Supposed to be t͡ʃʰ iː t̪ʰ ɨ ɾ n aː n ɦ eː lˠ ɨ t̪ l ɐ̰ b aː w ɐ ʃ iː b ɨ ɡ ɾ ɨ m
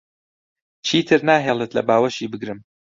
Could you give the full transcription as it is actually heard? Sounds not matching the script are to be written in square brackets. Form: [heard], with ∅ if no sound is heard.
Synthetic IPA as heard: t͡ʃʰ iː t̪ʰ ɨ ɾ n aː [∅] ɦ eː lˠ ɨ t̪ l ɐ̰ b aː w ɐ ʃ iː b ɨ ɡ ɾ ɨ m